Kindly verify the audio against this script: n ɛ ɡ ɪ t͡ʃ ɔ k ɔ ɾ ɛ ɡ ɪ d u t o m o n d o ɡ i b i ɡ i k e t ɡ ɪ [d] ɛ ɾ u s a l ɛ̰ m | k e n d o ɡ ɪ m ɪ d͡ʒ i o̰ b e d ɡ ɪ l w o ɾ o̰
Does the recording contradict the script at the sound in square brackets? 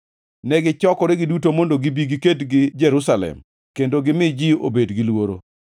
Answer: yes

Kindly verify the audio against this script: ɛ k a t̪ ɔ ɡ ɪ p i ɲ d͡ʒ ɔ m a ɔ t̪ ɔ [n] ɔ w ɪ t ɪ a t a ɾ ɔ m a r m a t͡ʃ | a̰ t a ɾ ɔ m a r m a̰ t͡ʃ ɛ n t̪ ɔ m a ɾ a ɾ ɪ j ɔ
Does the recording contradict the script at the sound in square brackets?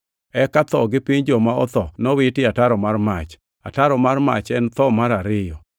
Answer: no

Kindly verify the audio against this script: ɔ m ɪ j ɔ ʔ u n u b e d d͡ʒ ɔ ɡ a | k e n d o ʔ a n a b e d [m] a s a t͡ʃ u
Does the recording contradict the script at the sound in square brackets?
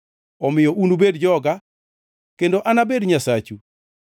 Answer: yes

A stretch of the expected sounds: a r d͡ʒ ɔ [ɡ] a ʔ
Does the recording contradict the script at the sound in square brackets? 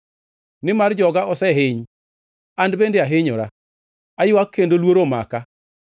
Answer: no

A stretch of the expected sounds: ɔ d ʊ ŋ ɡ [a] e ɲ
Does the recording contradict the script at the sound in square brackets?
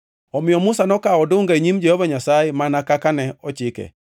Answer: no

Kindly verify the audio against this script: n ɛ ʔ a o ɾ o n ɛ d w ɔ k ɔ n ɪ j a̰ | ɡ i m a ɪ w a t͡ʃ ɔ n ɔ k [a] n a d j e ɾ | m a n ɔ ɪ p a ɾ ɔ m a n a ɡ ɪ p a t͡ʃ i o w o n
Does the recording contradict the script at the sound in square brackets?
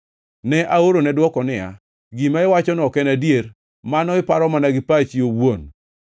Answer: yes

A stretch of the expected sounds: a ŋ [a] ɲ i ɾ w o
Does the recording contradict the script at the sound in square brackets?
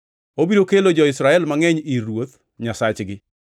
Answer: yes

